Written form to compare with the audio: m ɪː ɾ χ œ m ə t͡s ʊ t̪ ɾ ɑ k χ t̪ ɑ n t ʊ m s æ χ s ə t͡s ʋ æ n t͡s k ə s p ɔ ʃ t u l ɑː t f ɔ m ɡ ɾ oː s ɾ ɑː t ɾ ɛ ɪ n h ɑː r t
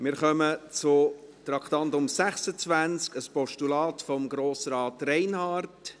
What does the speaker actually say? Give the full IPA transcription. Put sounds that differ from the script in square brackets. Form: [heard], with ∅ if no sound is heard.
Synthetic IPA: m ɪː ɾ χ œ m ə t͡s ʊ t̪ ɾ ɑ k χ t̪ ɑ n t ʊ m s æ χ s ə t͡s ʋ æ n t͡s k ə s p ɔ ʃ t u l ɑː t f ɔ m ɡ ɾ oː s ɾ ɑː t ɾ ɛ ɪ n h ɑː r t